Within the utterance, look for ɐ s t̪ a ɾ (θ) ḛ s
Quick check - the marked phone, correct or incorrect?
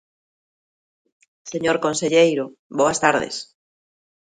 incorrect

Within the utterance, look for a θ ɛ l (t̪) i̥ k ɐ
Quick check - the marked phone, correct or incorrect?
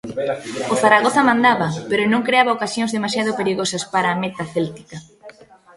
correct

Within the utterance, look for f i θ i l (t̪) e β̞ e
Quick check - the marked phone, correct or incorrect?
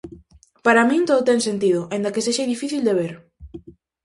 incorrect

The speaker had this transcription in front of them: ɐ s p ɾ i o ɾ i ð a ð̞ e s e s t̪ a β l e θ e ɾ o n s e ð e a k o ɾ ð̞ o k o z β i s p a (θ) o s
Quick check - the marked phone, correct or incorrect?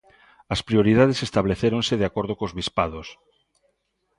incorrect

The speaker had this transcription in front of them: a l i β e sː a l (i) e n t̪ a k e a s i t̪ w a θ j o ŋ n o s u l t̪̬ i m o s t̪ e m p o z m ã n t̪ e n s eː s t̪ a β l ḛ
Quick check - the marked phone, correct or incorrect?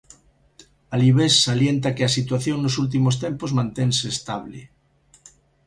incorrect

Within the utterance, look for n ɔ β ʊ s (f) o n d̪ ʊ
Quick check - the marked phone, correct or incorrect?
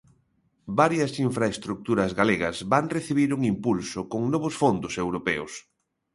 correct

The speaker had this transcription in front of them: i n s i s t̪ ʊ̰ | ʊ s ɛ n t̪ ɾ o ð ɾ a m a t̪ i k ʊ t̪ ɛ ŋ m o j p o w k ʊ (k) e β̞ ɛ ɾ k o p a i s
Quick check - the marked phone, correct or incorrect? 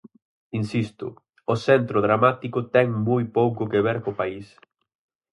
correct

